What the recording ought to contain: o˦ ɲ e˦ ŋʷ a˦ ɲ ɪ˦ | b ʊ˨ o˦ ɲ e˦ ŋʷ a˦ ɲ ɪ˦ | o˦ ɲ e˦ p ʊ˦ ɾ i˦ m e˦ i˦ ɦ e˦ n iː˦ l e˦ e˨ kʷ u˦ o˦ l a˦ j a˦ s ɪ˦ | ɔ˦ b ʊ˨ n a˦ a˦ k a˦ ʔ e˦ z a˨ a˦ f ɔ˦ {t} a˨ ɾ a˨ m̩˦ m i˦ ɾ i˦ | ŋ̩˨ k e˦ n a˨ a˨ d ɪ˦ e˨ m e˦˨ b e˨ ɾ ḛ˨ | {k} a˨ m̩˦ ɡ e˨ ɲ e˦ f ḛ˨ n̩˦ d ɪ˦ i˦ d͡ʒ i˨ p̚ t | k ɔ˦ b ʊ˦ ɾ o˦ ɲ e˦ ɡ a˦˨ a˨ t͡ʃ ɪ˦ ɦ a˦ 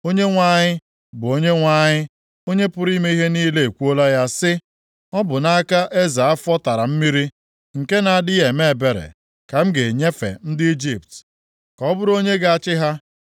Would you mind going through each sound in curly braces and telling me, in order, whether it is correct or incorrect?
correct, correct

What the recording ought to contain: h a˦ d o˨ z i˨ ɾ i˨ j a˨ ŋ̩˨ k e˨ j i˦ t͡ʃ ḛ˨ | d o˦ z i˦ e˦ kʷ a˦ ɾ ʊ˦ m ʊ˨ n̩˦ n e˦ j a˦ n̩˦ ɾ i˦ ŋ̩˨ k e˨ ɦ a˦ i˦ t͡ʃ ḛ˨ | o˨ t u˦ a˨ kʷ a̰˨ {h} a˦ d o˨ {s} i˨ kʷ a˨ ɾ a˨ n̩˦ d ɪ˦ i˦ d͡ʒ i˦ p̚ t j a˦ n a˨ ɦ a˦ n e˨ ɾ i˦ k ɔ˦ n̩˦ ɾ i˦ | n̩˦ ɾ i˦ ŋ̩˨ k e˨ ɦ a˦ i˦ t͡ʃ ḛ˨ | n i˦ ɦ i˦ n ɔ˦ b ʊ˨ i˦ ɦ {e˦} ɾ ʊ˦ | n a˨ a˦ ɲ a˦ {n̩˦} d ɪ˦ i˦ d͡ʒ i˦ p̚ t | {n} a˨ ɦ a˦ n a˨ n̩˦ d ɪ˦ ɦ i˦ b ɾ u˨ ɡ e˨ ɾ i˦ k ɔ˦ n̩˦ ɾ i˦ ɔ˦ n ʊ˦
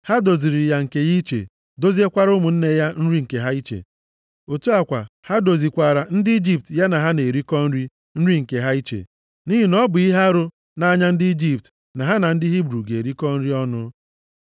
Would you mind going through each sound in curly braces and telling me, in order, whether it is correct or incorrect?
correct, incorrect: z, incorrect: a˦, correct, correct

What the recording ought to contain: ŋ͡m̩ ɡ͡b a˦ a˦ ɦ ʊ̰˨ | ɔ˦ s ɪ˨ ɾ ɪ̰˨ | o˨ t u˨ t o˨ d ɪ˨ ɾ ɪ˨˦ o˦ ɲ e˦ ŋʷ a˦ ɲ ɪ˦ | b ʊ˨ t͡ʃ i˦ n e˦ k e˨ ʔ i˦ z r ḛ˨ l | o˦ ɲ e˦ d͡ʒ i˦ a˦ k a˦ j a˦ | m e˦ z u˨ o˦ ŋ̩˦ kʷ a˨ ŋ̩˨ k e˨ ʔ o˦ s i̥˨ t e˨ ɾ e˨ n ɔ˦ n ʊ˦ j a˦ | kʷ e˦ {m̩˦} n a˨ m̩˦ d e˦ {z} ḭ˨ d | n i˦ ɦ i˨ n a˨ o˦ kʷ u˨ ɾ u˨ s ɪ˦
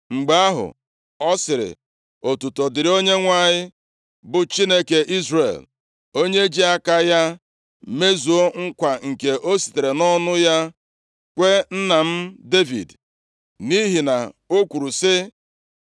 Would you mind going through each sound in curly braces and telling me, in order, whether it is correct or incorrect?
incorrect: n̩˦, incorrect: v

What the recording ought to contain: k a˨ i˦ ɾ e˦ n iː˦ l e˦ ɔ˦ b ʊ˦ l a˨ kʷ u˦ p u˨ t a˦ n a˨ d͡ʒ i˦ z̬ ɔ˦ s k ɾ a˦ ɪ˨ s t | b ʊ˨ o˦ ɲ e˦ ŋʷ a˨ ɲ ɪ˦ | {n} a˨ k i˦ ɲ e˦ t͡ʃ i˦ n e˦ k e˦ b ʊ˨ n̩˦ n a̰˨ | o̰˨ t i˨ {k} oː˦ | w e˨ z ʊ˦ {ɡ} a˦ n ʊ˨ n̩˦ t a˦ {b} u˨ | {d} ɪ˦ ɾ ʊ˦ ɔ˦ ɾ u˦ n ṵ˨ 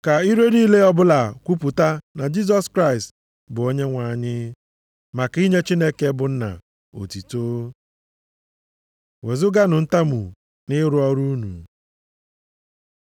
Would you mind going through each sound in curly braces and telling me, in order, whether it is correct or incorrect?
incorrect: m, incorrect: t, correct, incorrect: m, incorrect: n

